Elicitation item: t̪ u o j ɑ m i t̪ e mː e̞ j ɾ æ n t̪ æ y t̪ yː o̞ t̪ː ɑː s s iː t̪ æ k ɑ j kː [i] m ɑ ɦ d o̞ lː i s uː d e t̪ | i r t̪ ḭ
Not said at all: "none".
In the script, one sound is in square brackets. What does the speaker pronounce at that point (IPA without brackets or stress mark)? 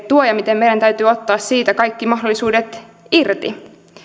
i